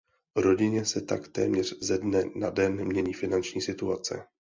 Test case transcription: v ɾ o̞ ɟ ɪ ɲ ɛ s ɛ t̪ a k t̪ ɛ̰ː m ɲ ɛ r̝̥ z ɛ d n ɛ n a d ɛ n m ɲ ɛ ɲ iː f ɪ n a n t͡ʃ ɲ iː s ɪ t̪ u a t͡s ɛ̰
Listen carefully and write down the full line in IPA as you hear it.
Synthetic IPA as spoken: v ɾ o̞ ɟ ɪ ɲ ɛ s ɛ t̪ a k t̪ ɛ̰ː m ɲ ɛ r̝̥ z ɛ d n ɛ n a d ɛ n m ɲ ɛ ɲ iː f ɪ n a n t͡ʃ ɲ iː s ɪ t̪ u a t͡s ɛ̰

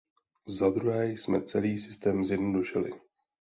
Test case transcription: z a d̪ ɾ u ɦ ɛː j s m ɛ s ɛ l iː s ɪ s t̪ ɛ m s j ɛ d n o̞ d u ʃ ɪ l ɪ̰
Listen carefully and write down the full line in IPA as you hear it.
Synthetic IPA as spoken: z a d̪ ɾ u ɦ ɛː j s m ɛ t͡s ɛ l iː s ɪ s t̪ ɛː m z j ɛ d n o̞ d u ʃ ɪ l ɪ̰

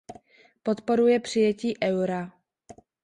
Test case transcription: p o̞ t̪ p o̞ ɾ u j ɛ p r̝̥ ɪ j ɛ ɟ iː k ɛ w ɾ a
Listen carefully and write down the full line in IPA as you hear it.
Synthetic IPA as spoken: p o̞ t̪ p o̞ ɾ u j ɛ p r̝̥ ɪ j ɛ c iː ʔ ɛ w ɾ a

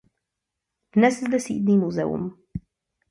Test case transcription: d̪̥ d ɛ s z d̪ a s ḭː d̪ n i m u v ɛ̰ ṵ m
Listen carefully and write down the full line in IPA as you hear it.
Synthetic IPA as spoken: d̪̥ n ɛ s z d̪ ɛ s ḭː d̪ n i m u z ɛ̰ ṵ m

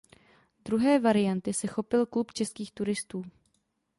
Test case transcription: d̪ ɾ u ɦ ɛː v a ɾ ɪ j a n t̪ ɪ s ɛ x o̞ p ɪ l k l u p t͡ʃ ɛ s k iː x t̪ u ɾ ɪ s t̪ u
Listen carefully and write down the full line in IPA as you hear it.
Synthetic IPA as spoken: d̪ ɾ u ɦ ɛː v a ɾ ɪ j a n t̪ ɪ s ɛ x o̞ p ɪ l k l u p t͡ʃ ɛ s k iː x t̪ u ɾ ɪ s t̪ uː

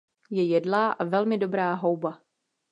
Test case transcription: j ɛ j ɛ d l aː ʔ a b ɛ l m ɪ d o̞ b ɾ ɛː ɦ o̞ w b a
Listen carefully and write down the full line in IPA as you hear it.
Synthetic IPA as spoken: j ɛ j ɛ d l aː ʔ a v ɛ l m ɪ d o̞ b ɾ aː ɦ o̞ w b a

